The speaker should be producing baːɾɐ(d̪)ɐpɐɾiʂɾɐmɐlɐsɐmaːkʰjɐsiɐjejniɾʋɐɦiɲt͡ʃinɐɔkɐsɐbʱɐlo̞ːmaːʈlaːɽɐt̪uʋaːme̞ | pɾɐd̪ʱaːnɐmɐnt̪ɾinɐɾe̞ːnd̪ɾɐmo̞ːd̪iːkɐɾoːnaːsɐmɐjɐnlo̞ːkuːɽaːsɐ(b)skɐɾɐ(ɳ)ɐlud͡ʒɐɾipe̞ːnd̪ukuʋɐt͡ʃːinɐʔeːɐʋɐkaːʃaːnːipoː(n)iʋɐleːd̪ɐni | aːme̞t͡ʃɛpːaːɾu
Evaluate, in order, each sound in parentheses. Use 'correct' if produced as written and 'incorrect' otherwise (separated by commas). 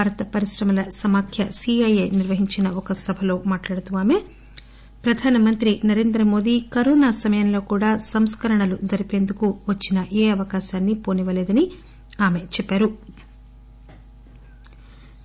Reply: incorrect, incorrect, correct, correct